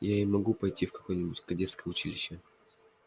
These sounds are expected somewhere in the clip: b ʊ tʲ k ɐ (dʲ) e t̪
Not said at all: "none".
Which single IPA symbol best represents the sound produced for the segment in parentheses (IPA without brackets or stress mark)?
dʲ